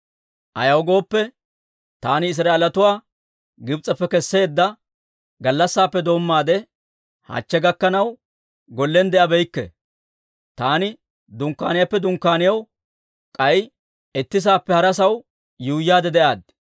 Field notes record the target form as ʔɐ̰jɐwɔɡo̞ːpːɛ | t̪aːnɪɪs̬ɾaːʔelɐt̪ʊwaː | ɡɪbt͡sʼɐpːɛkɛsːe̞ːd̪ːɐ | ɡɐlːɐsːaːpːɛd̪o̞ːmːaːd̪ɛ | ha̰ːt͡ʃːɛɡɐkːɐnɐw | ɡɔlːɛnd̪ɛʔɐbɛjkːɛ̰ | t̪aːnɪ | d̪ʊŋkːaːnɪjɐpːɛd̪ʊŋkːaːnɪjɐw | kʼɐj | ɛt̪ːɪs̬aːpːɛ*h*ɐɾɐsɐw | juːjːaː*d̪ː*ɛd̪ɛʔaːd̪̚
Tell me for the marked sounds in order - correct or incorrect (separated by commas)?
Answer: correct, incorrect